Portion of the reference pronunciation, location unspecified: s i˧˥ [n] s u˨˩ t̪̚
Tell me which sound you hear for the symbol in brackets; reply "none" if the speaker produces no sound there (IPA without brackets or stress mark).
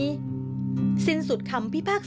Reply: n